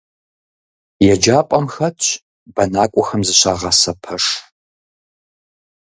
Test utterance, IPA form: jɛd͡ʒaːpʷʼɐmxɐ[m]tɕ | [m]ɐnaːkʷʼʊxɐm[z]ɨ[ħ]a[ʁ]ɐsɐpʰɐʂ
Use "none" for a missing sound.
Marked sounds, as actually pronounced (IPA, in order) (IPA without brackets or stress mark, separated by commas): none, b, z, ɕ, ʁ